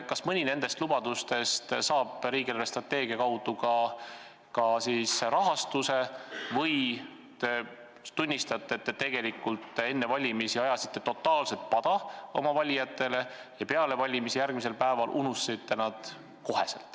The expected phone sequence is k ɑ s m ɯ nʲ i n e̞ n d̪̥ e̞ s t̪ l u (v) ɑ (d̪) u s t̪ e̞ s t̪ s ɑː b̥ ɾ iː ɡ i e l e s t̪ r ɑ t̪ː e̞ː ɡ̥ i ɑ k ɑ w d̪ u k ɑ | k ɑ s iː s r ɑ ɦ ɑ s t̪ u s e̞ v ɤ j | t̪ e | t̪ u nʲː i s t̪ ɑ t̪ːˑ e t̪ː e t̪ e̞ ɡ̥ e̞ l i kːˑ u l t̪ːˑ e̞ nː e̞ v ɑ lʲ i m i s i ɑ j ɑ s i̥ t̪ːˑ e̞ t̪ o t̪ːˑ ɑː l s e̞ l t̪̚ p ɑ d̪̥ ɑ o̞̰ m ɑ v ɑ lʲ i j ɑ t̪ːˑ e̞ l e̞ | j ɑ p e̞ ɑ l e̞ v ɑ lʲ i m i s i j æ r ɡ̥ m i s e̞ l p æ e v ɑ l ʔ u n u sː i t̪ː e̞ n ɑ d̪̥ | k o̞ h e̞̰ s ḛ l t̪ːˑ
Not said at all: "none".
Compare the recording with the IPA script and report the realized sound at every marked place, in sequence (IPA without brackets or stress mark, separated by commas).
b, d̪